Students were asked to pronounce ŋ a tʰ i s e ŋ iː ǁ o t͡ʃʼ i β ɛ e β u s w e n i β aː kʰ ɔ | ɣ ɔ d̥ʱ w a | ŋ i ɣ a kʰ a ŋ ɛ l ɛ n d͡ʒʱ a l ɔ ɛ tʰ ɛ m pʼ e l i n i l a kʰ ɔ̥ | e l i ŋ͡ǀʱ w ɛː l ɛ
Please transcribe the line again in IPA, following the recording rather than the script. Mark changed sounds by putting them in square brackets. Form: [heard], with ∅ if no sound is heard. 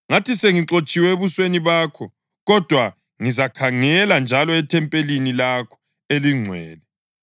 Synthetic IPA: ŋ a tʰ i s e ŋ [i] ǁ o t͡ʃʼ i [w] ɛ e β u s w e n i β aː kʰ ɔ | ɣ ɔ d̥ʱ w a | ŋ i [z] a kʰ a ŋ ɛ l [a] n d͡ʒʱ a l ɔ ɛ tʰ ɛ m pʼ e l i n i l a kʰ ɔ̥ | e l i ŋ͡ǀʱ w ɛː l ɛ